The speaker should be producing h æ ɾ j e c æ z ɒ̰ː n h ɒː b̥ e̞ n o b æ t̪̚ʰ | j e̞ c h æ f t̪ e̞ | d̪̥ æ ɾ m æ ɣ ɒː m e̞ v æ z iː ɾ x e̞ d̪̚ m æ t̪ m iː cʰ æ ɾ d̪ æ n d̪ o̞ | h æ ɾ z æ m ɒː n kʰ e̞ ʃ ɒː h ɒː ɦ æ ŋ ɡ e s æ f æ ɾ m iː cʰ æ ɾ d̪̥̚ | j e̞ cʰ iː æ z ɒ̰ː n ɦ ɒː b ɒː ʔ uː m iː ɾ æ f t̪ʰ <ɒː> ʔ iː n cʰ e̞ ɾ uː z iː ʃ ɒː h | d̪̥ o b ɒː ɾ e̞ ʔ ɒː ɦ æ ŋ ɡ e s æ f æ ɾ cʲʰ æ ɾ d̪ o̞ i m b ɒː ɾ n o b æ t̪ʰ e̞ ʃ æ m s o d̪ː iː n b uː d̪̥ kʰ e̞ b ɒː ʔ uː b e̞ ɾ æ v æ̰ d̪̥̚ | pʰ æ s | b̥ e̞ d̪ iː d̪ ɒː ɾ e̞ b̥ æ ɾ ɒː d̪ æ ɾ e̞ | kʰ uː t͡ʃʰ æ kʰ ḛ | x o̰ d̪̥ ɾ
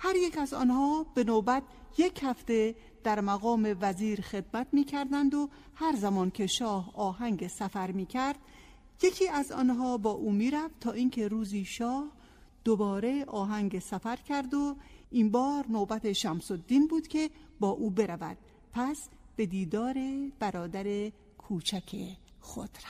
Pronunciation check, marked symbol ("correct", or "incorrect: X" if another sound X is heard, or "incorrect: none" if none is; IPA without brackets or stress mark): correct